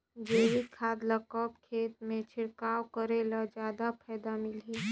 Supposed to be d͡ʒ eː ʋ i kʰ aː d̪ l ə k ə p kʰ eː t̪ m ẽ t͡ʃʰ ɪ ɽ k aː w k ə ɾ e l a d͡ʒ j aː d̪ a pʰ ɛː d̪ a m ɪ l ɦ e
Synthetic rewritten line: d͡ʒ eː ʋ i kʰ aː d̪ l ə k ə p kʰ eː t̪ m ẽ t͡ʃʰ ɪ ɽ k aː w k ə ɾ e l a d͡ʒ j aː d̪ a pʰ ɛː d̪ a m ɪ l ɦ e